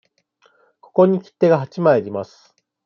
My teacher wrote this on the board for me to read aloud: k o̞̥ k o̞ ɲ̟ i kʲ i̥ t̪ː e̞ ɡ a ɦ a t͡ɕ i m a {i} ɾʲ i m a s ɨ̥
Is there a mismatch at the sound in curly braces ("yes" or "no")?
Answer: yes